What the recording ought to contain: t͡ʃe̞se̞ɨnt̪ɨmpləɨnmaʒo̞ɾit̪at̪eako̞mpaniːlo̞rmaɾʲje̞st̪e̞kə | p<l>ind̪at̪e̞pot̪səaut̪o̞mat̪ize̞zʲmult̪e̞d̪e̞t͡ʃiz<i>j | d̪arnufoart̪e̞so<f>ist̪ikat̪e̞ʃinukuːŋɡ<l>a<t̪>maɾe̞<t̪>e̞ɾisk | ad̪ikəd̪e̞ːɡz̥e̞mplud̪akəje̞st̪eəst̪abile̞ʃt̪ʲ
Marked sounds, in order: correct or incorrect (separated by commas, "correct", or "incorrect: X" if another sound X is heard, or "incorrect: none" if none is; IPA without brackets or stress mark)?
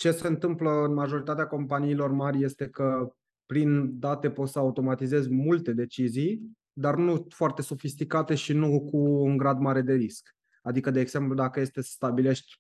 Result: incorrect: ɾ, correct, correct, incorrect: ɾ, incorrect: d̪, incorrect: d̪